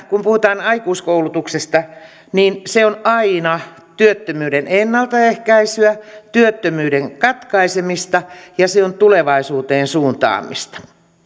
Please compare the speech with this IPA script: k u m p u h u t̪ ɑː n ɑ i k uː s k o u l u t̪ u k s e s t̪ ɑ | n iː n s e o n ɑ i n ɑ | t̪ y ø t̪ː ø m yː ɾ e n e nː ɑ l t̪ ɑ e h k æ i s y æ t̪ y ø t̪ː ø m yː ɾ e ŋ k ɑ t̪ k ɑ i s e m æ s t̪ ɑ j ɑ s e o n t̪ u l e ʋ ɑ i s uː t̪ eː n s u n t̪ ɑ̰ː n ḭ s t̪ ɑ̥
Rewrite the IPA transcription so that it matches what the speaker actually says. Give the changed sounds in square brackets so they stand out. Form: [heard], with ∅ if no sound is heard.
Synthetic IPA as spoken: k u m p u h u t̪ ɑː n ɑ i k uː s k o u l u t̪ u k s e s t̪ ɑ | n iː n s e o n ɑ i n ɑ | t̪ y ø t̪ː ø m yː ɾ e n e nː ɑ l t̪ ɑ e h k æ i s y æ t̪ y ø t̪ː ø m yː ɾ e ŋ k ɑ t̪ k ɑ i s e m [i] s t̪ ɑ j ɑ s e o n t̪ u l e ʋ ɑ i s uː t̪ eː n s [uː] n t̪ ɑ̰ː [m] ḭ s t̪ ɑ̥